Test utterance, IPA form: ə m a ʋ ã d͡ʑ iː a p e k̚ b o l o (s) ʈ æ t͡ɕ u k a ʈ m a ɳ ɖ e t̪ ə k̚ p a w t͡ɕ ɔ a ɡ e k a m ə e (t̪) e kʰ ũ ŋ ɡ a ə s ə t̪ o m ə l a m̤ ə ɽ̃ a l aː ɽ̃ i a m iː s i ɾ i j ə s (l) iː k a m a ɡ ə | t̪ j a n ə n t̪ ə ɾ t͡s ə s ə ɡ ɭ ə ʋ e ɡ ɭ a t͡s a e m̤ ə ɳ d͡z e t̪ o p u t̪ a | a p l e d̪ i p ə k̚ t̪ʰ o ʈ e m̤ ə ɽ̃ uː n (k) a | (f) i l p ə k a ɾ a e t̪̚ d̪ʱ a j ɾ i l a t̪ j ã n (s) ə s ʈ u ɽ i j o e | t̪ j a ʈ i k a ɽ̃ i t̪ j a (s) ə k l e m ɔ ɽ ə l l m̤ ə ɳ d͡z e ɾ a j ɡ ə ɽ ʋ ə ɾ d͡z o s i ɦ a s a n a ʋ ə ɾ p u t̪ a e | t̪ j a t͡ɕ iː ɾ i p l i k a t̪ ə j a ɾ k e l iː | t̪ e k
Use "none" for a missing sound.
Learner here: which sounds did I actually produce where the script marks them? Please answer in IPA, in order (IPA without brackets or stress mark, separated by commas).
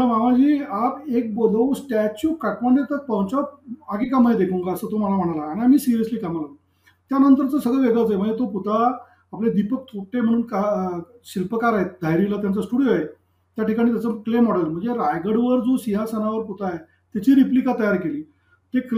s, d̪, l, k, ɕ, t͡s, t͡s